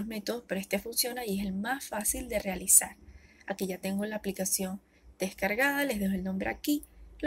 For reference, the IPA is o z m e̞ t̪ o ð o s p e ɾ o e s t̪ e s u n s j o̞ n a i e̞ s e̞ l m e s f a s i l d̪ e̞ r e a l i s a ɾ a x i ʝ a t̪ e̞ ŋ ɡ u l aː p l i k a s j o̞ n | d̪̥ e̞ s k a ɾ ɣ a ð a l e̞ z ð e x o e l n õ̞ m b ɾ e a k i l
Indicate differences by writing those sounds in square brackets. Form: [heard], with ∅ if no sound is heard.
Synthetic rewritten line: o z m e̞ t̪ o ð o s p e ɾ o e s t̪ e [f] u n s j o̞ n a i e̞ s e̞ l m [a] s f a s i l d̪ e̞ r e a l i s a ɾ a [k] i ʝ a t̪ e̞ ŋ ɡ [o] l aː p l i k a s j o̞ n | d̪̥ e̞ s k a ɾ ɣ a ð a l e̞ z ð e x o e l n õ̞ m b ɾ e a k i l

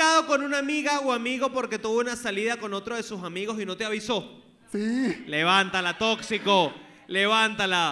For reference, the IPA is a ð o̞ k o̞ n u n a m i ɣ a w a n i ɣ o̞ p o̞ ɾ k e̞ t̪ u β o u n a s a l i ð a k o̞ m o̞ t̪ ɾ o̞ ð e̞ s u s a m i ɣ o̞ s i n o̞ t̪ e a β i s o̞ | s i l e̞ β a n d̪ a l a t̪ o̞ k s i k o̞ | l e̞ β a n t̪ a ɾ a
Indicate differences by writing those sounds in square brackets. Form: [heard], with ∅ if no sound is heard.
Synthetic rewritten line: a ð o̞ k o̞ n u n a m i ɣ a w a [m] i ɣ o̞ p o̞ ɾ k e̞ t̪ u β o u n a s a l i ð a k o̞ [n] o̞ t̪ ɾ o̞ ð e̞ s u s a m i ɣ o̞ s i n o̞ t̪ e a β i s o̞ | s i l e̞ β a n [t̪] a l a t̪ o̞ k s i k o̞ | l e̞ β a n t̪ a [l] a

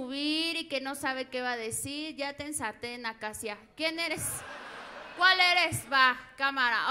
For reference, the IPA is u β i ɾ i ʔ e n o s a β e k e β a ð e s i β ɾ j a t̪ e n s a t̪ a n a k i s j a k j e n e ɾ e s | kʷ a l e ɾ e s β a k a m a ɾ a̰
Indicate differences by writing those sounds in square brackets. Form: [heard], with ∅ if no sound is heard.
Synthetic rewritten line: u β i ɾ i [k] e n o s a β e k e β a ð e s i [∅] ɾ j a t̪ e n s a t̪ [e] n a k [a] s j a k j e n e ɾ e s | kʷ a l e ɾ e s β a k a m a ɾ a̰

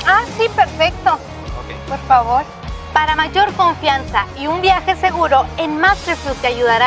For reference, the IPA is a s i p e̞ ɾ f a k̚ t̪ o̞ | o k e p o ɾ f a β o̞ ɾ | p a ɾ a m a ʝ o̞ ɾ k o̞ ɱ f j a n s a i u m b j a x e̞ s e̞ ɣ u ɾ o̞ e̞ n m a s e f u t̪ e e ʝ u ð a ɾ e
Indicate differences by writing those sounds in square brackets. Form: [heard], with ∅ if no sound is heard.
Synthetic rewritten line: a s i p e̞ ɾ f [e] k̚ t̪ o̞ | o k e p o ɾ f a β o̞ ɾ | p a ɾ a m a ʝ o̞ ɾ k o̞ ɱ f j a n s a i u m b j a x e̞ s e̞ ɣ u ɾ o̞ e̞ n m a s e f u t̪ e [a] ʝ u ð a ɾ [a]

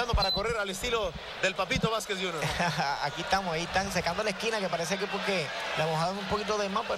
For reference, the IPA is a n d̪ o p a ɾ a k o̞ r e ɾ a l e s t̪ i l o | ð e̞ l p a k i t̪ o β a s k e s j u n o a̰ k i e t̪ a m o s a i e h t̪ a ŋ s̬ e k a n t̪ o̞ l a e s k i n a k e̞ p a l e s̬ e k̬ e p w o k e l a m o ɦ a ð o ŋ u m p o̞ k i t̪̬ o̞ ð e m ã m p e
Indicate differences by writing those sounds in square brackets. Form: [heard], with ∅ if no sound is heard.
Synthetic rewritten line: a n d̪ o p a ɾ a k o̞ r e ɾ a l e s t̪ i l o | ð e̞ l p a [p] i t̪ o β a s k e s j u n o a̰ k i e t̪ a m o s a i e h t̪ a ŋ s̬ e k a n [d̪] o̞ l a e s k i n a k e̞ p a [ɾ] e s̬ e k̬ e p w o k e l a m o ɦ a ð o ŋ u m p o̞ k i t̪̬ o̞ ð e m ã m p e

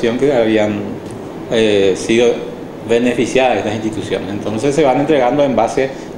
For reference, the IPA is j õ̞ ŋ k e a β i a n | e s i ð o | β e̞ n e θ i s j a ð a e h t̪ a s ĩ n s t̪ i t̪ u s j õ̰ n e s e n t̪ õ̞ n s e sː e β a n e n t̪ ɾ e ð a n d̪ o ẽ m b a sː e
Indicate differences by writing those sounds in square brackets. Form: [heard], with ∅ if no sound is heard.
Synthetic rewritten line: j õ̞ ŋ k e a β i a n | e s i ð o | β e̞ n e [f] i s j a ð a e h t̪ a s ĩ n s t̪ i t̪ u s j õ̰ n e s e n t̪ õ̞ n s e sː e β a n e n t̪ ɾ e [ɣ] a n d̪ o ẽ m b a [s] e

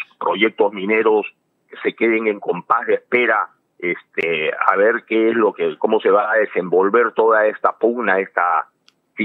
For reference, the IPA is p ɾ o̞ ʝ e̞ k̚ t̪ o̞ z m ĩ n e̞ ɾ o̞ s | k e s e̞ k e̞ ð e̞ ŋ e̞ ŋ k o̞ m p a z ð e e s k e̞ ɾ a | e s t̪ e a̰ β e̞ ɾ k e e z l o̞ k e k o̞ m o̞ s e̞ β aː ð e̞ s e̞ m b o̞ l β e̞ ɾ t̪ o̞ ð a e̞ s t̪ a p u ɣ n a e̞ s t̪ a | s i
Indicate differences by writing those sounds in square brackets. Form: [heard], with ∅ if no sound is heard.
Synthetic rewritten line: p ɾ o̞ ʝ e̞ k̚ t̪ o̞ z m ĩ n e̞ ɾ o̞ s | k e s e̞ k e̞ ð e̞ ŋ e̞ ŋ k o̞ m p a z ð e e s [p] e̞ ɾ a | e s t̪ e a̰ β e̞ ɾ k e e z l o̞ k e k o̞ m o̞ s e̞ β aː ð e̞ s e̞ m b o̞ l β e̞ ɾ t̪ o̞ ð a e̞ s t̪ a p u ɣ n a e̞ s t̪ a | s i

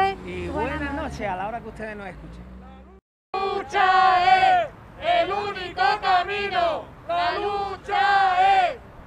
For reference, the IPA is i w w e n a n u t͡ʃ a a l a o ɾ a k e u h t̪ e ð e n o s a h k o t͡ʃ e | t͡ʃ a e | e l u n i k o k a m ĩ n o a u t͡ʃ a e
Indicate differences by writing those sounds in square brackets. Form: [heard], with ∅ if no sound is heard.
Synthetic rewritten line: i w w e n a n [o] t͡ʃ [e] a l a o ɾ a k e u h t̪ e ð e n o s [e] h k [u] t͡ʃ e | t͡ʃ a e | e l u n i k o k a m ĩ n o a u t͡ʃ a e

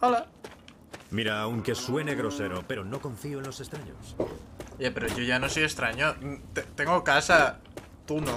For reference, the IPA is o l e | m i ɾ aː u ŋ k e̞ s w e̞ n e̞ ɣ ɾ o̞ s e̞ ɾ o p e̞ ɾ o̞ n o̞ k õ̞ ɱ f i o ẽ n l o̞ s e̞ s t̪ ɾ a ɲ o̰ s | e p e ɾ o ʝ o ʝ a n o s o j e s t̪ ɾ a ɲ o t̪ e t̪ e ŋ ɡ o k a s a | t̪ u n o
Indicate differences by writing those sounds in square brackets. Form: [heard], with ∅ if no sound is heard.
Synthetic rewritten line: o l [a] | m i ɾ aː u ŋ k e̞ s w e̞ n e̞ ɣ ɾ o̞ s e̞ ɾ o p e̞ ɾ o̞ n o̞ k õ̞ ɱ f i o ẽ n l o̞ s e̞ s t̪ ɾ a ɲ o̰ s | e p e ɾ o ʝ o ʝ a n o s o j e s t̪ ɾ a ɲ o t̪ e t̪ e ŋ ɡ o k a s a | t̪ u n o

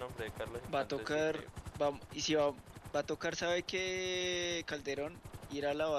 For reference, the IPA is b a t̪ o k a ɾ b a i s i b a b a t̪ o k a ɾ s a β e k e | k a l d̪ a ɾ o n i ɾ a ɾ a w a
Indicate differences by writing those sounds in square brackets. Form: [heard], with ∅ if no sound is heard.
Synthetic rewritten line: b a t̪ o k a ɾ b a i s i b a b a t̪ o k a ɾ s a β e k e | k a l d̪ [e] ɾ o n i ɾ a [l] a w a

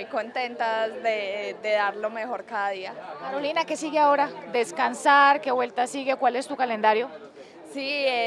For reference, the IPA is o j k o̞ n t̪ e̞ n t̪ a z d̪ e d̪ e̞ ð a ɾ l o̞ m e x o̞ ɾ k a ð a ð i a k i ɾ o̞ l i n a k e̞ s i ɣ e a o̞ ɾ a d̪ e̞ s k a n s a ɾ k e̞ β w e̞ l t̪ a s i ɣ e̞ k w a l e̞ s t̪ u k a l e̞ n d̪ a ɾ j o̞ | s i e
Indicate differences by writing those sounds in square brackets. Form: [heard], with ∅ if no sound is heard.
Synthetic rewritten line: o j k o̞ n t̪ e̞ n t̪ a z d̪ e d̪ e̞ ð a ɾ l o̞ m e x o̞ ɾ k a ð a ð i a k [a] ɾ o̞ l i n a k e̞ s i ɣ e a o̞ ɾ a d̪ e̞ s k a n s a ɾ k e̞ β w e̞ l t̪ a s i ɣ e̞ k w a l e̞ s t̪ u k a l e̞ n d̪ a ɾ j o̞ | s i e

